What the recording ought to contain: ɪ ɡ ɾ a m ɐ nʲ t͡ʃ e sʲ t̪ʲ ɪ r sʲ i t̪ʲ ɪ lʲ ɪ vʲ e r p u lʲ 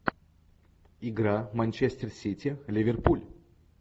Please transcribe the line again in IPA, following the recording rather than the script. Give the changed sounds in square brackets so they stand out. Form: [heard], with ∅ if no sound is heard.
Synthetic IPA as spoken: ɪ ɡ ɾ a m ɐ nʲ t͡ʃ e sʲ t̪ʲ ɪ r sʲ i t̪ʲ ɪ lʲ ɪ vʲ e r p u lʲ